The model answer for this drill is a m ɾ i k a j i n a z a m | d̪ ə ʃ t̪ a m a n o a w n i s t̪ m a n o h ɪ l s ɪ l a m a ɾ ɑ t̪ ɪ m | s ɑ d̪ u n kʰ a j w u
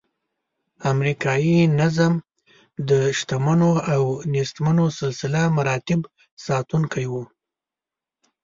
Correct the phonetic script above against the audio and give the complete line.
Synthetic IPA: a m ɾ i k ɑ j i n a z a m | d̪ ə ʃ t̪ a m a n o a w n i s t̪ m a n o s ɪ l s ɪ l a m a ɾ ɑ t̪ ɪ b | s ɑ t̪ u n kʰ a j w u